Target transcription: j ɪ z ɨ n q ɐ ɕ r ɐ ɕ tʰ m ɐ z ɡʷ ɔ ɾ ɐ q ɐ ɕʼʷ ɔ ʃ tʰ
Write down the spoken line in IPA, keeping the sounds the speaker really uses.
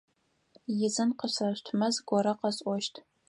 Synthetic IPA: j ɪ z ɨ n q ə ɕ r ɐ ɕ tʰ m ɐ z ɡʷ ɔ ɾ ɐ q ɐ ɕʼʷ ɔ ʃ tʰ